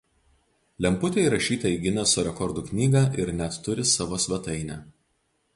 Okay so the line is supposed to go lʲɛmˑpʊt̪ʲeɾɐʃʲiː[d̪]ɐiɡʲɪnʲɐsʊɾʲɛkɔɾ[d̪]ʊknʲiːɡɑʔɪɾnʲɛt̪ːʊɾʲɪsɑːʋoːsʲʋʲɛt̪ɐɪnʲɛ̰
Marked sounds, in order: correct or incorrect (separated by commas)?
incorrect, correct